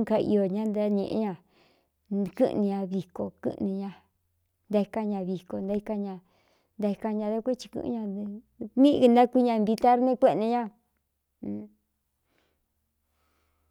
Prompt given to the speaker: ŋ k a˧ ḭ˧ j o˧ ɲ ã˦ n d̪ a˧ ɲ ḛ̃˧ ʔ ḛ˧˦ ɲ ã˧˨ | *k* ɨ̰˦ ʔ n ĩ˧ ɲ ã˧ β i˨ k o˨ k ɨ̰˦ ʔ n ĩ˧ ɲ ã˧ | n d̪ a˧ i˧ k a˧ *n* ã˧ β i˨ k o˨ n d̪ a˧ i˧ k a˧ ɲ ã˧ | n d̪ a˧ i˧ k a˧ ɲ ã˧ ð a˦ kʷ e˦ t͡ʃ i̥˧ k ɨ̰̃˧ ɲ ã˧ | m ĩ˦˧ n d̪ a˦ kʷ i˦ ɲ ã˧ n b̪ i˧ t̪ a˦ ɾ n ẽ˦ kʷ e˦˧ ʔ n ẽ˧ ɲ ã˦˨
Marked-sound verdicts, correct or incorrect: correct, incorrect

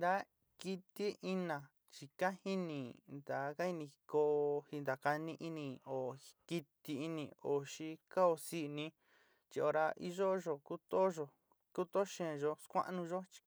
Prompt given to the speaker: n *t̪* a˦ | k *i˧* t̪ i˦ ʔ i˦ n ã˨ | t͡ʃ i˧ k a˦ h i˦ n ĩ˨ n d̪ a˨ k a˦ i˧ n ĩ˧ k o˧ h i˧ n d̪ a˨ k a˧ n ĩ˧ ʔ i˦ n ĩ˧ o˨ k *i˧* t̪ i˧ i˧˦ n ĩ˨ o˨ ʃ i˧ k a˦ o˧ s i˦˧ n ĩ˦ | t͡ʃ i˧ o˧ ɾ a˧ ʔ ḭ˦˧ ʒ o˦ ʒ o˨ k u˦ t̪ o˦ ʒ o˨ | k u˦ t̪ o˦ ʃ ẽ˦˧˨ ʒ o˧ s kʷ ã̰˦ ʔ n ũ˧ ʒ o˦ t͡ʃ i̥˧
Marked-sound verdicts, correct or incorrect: incorrect, correct, correct

